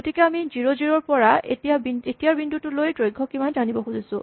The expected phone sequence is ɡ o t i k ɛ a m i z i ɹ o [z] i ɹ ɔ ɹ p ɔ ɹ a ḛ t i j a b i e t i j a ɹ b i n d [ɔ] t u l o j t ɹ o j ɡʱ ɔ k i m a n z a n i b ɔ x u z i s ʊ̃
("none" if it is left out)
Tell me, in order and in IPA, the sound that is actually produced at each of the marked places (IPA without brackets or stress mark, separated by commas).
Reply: z, u